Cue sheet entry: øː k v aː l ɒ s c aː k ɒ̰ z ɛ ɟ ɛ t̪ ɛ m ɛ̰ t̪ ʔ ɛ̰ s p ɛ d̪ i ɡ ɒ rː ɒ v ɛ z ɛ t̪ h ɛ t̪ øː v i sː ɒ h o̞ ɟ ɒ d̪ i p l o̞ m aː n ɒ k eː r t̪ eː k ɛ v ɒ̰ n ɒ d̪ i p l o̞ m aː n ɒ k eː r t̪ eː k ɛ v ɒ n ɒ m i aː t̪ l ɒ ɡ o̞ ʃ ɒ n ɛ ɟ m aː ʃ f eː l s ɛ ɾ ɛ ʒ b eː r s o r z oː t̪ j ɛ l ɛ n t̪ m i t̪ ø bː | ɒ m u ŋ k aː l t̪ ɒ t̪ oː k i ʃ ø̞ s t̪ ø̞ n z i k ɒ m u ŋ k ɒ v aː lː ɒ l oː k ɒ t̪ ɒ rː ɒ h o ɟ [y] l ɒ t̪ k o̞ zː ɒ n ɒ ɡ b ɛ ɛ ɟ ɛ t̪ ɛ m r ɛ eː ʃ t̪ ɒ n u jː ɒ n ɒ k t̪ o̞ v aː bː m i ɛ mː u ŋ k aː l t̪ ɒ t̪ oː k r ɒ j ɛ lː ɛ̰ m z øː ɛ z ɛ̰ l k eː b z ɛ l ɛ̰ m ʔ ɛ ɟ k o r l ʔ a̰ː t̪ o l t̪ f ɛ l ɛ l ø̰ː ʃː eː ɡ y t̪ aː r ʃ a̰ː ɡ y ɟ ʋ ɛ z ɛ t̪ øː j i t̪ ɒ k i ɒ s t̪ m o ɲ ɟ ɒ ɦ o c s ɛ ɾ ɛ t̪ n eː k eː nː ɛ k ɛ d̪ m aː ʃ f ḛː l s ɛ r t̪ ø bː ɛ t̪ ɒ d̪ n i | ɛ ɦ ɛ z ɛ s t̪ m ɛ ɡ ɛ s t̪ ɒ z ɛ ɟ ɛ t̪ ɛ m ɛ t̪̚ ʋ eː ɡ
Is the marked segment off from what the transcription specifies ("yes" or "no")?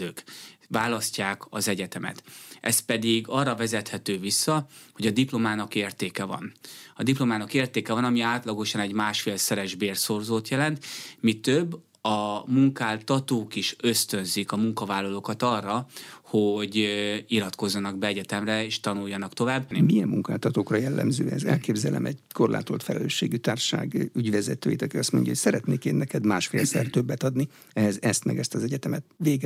yes